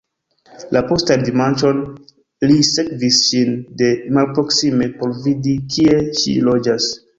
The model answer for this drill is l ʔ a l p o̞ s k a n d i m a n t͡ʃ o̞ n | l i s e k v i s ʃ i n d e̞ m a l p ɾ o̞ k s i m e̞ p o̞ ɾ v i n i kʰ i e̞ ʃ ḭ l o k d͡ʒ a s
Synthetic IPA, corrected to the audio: l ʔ a p o̞ s t a n d i m a n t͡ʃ o̞ n | l i s e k v i s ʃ i n d e̞ m a l p ɾ o̞ k s i m e̞ p o̞ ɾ v i d i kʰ i e̞ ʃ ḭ l o d͡ʒ a s